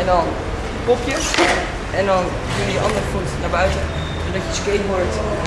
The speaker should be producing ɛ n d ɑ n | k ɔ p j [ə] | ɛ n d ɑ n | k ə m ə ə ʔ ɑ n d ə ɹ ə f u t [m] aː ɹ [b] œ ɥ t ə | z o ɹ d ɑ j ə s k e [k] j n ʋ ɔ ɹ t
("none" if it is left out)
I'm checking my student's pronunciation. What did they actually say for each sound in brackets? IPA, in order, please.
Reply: ə, n, b, none

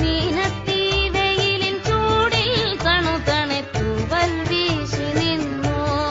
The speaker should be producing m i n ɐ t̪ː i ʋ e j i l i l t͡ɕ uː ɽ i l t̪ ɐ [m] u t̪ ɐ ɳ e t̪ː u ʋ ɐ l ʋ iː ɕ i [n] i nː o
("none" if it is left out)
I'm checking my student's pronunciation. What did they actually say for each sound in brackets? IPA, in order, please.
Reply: ɳ, n

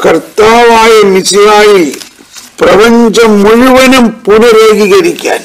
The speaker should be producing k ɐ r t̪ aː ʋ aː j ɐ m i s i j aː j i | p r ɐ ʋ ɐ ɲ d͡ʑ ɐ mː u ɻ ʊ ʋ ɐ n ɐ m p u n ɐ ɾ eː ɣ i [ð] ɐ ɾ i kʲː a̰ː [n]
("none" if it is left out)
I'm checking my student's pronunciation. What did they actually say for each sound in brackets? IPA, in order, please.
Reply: ɣ, n

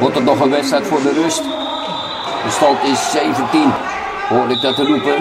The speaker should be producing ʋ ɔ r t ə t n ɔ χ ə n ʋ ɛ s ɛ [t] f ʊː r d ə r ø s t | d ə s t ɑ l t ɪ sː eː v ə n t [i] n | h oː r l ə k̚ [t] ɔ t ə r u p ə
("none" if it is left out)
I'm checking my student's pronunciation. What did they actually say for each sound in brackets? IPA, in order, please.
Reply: t, i, d

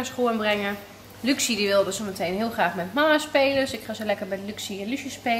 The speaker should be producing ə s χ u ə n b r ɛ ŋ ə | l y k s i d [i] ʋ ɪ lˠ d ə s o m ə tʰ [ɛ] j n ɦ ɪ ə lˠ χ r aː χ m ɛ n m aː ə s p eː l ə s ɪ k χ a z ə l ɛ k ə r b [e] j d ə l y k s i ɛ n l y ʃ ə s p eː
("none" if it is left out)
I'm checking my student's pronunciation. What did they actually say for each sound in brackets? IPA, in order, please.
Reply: i, e, ɛ

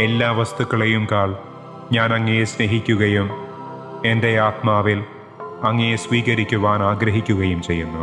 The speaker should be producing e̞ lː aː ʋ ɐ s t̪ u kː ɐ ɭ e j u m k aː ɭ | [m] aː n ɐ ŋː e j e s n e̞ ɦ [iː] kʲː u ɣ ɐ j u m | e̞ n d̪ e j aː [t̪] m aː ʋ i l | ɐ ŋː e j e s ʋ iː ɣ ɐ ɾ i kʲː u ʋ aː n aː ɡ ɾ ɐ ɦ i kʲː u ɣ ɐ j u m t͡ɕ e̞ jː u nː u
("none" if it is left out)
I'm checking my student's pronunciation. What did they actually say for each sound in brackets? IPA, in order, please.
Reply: ɲ, i, t̪

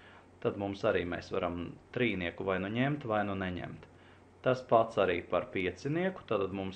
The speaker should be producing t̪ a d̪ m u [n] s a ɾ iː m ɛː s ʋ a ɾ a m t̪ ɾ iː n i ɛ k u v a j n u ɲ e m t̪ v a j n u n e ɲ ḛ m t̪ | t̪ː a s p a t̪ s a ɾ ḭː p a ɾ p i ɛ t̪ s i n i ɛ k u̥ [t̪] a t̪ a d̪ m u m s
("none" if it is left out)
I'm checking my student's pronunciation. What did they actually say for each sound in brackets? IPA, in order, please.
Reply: m, t̪

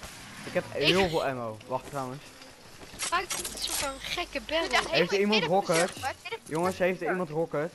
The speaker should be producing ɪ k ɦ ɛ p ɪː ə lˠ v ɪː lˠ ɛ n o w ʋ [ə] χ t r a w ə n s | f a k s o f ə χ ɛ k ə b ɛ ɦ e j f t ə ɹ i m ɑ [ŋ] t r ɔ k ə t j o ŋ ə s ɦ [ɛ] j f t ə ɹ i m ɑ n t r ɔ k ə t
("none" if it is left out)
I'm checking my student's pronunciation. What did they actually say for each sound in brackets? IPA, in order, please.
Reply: ɑ, n, e

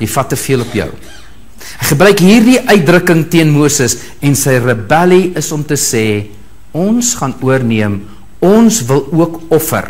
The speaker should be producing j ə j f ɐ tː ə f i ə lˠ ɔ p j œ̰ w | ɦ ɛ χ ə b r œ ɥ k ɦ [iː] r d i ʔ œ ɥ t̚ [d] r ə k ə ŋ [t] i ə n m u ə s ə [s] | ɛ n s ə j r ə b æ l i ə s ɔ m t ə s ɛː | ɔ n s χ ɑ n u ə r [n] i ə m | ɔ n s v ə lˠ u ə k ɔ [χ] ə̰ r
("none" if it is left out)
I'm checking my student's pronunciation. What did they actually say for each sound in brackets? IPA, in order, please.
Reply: iː, d, t, s, n, f

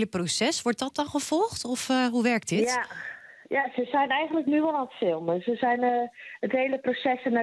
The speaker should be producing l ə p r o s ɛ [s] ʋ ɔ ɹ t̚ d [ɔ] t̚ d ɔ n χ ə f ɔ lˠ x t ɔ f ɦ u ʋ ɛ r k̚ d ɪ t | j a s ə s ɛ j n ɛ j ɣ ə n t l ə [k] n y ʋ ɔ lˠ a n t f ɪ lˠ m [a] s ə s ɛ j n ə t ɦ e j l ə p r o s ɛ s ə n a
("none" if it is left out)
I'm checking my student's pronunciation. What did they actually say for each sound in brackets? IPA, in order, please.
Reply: s, ɔ, k, ə

